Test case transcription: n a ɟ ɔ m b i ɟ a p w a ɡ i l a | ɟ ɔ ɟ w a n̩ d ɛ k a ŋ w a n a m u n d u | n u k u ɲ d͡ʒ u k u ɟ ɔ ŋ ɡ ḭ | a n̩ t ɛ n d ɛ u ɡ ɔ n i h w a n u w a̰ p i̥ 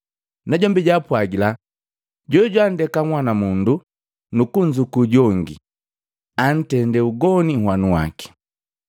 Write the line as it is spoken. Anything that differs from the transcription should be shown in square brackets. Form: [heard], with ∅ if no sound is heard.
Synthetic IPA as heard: n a ɟ ɔ m b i ɟ a p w a ɡ i l a | ɟ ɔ ɟ w a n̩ d ɛ k a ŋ w a n a m u n d u | n u k u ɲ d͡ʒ u k u ɟ ɔ ŋ ɡ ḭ | a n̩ t ɛ n d ɛ u ɡ ɔ n i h w a n u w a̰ [k] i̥